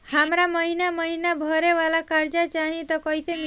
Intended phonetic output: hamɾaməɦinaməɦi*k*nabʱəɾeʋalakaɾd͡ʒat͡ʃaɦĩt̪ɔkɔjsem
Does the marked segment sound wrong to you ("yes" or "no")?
yes